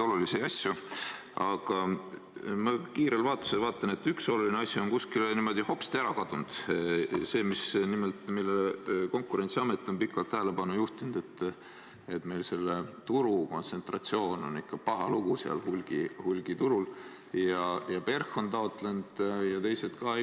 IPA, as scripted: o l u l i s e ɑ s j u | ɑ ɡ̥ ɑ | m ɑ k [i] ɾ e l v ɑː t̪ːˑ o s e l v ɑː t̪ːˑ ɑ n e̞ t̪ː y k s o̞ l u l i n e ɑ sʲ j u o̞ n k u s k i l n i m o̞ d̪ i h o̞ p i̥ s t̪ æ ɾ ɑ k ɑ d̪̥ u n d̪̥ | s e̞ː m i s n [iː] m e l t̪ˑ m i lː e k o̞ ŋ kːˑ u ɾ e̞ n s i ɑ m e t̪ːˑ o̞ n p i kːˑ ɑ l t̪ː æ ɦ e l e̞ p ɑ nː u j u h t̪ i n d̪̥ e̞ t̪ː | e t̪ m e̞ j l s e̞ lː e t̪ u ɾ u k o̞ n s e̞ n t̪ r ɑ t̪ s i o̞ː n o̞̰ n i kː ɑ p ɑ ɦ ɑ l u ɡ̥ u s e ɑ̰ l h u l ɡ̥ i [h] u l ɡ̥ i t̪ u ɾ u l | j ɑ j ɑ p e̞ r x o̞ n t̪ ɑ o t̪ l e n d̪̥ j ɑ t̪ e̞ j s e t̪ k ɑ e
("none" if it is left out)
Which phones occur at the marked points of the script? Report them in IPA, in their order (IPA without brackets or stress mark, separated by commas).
iː, i, h